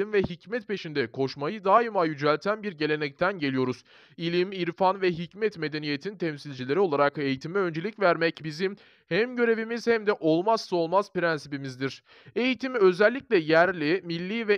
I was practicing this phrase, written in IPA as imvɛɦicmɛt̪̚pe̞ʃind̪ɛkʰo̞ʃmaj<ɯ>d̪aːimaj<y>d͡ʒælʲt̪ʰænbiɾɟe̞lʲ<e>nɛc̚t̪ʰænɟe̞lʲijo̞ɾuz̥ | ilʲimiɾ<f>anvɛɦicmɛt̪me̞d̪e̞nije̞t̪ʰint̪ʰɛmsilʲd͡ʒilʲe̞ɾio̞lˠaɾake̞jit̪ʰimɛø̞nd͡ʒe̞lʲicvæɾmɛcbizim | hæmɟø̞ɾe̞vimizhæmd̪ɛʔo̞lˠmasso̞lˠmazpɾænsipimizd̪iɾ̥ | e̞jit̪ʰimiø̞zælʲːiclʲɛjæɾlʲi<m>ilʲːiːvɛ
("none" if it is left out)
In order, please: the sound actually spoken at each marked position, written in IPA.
ɯ, y, e, f, m

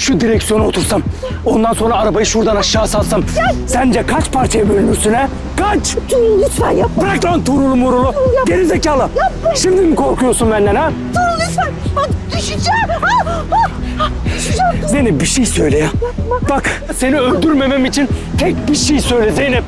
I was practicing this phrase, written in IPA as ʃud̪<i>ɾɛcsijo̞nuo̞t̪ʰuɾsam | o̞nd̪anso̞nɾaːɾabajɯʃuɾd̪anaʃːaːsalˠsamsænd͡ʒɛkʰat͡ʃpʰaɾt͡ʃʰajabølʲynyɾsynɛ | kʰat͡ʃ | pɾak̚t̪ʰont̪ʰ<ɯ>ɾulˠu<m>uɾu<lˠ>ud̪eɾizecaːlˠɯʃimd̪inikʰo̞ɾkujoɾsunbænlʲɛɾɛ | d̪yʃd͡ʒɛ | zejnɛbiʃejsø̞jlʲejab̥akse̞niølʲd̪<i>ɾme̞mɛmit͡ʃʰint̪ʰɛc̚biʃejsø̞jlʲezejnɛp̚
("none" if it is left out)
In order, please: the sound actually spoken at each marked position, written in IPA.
i, u, m, lˠ, y

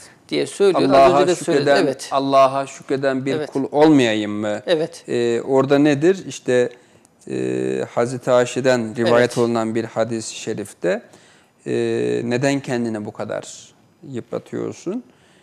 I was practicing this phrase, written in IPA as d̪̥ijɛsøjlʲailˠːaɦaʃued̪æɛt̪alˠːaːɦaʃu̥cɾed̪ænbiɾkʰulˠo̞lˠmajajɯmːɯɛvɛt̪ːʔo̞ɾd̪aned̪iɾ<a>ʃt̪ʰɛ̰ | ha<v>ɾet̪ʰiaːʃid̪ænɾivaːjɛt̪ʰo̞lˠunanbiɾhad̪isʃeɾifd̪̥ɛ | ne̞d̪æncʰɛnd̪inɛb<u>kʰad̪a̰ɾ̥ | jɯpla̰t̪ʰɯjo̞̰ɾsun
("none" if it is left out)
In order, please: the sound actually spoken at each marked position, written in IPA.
i, z, u

